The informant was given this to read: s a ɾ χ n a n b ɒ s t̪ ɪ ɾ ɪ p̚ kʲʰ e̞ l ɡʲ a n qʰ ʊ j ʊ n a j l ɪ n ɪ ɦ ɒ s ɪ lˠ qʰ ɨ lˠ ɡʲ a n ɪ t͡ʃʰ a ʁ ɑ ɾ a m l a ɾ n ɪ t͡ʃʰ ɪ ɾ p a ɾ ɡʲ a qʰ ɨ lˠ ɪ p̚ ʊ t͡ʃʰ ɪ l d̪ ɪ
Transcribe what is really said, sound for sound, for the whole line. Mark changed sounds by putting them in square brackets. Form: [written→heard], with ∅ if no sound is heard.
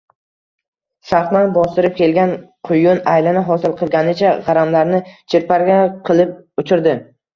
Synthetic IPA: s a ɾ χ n a n b ɒ s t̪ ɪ ɾ ɪ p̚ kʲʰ e̞ l ɡʲ a n qʰ ʊ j ʊ n a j l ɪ n ɪ ɦ ɒ s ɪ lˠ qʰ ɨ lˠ ɡʲ a n ɪ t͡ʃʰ a ʁ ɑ ɾ a m l a ɾ n ɪ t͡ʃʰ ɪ ɾ p a ɾ ɡʲ a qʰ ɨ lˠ ɪ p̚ ʊ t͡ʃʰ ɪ [l→ɾ] d̪ ɪ